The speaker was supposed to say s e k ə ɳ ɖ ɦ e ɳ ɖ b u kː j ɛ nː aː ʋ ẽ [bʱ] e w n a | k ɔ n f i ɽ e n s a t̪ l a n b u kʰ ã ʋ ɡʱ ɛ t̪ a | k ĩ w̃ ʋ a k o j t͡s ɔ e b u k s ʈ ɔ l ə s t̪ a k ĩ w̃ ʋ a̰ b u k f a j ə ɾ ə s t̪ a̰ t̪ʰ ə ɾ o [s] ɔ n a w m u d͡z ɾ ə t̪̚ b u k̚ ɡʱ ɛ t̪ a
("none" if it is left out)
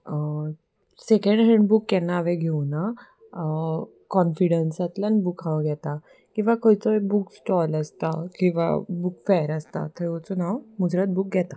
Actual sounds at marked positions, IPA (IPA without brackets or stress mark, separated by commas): ɡʱ, t͡s